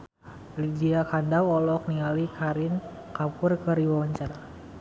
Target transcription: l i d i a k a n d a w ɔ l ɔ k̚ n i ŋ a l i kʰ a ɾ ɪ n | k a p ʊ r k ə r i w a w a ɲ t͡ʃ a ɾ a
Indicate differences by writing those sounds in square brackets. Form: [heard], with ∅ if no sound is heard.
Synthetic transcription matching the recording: l i d i a k a n d a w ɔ l ɔ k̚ n i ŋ a l i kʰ a ɾ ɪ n | k a p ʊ r k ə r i w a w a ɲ t͡ʃ a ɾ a